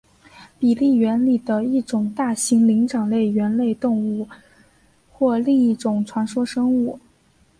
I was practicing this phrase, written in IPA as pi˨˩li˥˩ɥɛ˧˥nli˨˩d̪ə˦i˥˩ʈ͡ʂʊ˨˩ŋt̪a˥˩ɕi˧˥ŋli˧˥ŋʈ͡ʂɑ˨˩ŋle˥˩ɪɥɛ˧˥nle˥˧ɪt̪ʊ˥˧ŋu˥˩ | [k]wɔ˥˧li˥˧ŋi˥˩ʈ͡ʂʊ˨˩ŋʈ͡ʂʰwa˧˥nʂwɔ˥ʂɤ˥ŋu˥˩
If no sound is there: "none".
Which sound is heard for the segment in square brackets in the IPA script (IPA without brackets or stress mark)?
x